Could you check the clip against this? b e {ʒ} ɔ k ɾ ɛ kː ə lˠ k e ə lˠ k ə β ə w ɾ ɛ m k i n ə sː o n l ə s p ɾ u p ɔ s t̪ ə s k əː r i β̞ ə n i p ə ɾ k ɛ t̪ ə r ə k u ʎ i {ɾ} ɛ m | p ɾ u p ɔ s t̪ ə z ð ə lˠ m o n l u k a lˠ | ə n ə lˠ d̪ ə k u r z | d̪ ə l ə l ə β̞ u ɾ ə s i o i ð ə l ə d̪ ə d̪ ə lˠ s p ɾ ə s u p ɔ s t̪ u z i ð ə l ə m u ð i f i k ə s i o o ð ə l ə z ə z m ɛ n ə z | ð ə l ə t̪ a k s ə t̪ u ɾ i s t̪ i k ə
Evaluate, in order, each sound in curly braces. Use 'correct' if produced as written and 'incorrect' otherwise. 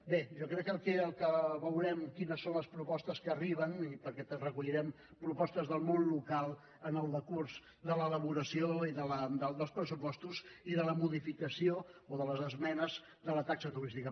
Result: correct, correct

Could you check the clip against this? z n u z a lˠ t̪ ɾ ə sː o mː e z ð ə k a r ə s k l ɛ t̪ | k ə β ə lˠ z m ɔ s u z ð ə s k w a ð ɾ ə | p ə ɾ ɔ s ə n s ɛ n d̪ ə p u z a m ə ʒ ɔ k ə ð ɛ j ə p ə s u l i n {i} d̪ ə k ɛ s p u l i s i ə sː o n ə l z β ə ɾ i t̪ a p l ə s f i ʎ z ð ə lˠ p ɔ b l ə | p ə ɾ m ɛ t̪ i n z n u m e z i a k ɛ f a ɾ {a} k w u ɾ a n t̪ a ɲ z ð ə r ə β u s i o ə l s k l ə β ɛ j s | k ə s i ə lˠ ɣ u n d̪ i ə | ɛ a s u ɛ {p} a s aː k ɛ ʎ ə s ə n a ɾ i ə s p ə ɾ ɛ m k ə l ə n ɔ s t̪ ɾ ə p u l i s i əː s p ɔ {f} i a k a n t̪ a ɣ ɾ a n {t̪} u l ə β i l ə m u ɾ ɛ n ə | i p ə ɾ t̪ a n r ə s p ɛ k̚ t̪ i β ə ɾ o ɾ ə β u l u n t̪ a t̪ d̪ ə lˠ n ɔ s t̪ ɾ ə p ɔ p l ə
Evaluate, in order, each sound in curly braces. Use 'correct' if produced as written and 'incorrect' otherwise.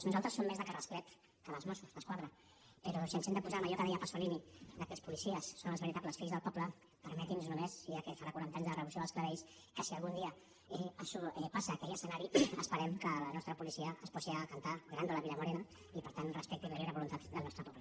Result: correct, correct, correct, incorrect, incorrect

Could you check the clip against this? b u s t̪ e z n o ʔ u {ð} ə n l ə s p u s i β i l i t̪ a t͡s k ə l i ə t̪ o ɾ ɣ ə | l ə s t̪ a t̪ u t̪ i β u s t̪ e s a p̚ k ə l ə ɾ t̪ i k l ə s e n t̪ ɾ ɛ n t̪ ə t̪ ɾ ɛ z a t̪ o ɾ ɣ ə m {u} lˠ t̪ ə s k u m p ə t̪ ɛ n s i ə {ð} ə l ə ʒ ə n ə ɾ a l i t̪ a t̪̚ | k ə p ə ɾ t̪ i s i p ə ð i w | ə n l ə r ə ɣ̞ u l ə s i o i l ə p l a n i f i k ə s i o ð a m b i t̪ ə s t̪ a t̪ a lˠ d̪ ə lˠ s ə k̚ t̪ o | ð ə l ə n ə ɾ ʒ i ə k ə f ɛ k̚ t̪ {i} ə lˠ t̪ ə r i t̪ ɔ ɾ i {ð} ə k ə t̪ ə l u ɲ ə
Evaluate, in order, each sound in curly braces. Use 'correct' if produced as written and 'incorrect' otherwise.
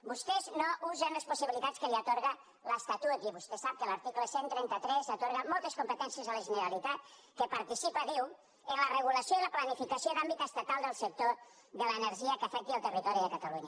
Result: incorrect, incorrect, incorrect, correct, correct

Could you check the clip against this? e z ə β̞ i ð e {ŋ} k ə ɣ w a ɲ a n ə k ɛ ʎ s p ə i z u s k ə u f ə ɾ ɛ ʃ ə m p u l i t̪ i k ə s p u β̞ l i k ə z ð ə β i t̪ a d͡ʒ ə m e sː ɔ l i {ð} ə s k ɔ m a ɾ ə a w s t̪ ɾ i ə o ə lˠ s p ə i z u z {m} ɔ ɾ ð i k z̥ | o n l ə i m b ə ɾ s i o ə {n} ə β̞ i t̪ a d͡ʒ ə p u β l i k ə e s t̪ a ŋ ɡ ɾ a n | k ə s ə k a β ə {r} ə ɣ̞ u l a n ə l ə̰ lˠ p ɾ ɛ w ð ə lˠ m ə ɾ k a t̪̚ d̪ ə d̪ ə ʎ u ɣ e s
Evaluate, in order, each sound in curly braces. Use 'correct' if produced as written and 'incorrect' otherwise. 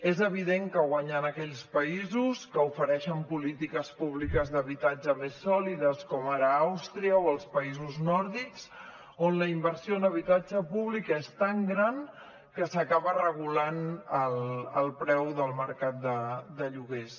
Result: correct, correct, incorrect, correct, correct

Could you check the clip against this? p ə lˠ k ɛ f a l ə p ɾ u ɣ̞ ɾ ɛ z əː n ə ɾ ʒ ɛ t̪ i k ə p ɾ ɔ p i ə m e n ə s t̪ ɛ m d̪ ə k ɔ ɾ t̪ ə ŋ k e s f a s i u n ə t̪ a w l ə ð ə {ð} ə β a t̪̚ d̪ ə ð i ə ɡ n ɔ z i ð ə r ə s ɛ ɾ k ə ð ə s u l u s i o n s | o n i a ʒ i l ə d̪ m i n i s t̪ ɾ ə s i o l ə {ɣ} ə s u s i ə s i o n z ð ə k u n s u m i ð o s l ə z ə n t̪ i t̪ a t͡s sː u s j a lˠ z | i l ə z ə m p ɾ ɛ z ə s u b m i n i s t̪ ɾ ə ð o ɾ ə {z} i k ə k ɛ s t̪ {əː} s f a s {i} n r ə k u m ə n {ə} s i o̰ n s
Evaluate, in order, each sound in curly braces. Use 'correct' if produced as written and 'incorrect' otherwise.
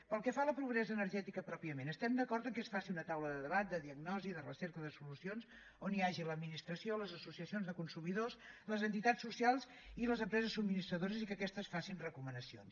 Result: correct, incorrect, correct, incorrect, correct, correct

